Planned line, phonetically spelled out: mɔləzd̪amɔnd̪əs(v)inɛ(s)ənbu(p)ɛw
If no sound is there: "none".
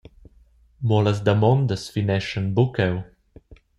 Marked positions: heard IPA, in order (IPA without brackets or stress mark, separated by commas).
f, ʃ, k